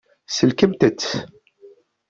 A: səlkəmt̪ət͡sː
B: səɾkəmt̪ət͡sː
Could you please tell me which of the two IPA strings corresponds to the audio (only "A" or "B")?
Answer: A